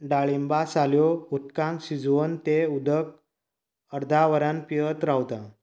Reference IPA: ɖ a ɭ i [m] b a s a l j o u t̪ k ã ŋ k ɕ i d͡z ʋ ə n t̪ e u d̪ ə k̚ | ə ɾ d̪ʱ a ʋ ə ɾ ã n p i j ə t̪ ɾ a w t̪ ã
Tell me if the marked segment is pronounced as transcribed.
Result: yes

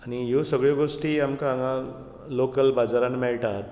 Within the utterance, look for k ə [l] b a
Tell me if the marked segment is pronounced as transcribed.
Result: yes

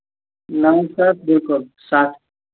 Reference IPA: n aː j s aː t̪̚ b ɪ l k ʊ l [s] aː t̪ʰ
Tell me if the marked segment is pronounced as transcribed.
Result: yes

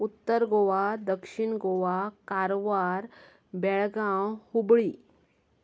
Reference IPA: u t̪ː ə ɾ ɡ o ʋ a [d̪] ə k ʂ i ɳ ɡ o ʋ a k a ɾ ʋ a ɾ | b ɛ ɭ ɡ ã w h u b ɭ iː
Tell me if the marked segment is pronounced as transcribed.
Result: yes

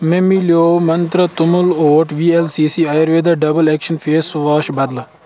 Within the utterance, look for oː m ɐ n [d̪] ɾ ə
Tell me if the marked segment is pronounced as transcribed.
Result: no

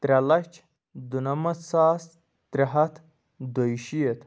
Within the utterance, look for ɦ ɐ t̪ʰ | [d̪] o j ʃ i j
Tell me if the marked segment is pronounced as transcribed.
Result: yes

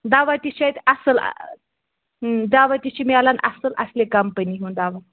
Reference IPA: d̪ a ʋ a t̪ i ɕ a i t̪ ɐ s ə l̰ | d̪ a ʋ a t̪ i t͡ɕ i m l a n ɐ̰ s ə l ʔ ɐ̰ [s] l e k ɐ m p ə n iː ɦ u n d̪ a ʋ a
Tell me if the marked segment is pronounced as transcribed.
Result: yes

